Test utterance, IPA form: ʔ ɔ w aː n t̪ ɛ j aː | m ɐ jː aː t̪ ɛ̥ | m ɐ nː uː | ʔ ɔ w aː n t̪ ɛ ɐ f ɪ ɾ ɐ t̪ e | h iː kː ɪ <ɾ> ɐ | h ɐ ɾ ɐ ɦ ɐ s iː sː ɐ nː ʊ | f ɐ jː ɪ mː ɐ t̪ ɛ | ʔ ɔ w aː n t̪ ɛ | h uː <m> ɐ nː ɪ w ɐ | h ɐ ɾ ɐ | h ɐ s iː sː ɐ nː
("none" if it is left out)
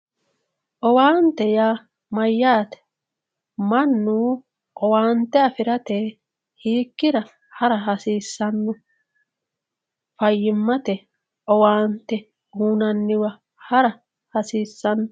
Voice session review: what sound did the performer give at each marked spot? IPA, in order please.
ɾ, n

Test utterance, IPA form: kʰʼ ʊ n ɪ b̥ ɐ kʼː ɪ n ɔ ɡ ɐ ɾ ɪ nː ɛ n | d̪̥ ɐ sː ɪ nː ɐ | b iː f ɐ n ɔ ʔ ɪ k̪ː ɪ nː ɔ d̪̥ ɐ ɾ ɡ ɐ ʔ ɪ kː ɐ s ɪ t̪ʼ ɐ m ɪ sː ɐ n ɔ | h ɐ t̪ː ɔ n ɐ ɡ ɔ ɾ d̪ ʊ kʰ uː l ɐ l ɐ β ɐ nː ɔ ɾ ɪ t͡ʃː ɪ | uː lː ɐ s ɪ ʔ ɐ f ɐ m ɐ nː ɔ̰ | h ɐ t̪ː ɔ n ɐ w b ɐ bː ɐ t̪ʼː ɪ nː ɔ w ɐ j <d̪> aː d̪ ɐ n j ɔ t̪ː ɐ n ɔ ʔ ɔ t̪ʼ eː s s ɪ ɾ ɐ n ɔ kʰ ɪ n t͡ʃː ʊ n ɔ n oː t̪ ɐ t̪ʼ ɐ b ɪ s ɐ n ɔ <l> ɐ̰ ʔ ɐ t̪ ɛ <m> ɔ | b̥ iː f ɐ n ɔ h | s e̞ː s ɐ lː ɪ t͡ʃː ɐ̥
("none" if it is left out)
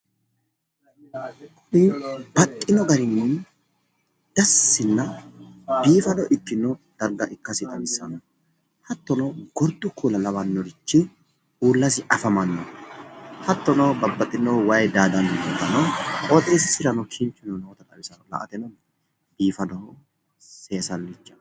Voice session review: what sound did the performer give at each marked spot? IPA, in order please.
d̪, l, n

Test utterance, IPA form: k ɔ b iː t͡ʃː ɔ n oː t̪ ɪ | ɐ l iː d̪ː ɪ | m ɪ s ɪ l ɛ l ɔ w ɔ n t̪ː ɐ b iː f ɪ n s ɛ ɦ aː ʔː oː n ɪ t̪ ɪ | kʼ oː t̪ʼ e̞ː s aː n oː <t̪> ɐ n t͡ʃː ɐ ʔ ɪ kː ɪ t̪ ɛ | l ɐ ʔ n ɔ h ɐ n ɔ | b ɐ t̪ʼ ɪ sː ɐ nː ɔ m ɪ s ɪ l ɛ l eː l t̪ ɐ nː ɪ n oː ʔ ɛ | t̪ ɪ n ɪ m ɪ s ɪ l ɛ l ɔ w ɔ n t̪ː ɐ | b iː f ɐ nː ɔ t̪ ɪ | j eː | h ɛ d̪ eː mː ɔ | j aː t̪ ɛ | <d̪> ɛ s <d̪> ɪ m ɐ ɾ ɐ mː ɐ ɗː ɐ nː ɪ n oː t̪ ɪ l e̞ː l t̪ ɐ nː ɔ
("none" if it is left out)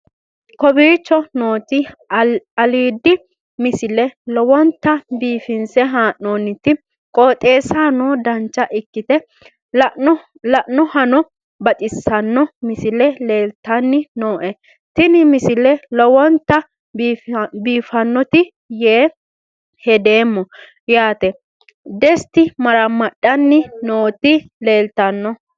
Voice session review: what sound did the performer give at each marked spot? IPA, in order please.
d̪, d̪, t̪

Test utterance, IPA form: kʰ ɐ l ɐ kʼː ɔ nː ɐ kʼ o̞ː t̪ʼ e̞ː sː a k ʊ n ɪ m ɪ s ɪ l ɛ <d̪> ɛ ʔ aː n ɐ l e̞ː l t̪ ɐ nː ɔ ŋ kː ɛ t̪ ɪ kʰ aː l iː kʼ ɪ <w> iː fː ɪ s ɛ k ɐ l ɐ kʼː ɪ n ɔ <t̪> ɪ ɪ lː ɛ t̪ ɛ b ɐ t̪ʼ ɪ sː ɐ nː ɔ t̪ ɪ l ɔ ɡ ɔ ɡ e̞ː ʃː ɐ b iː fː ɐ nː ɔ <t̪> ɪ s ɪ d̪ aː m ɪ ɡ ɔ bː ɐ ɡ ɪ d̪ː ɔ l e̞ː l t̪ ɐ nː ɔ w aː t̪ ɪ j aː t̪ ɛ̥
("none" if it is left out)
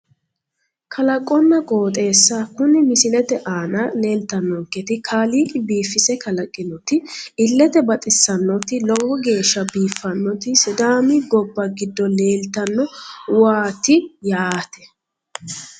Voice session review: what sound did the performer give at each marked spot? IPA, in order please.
t̪, b, t̪, t̪

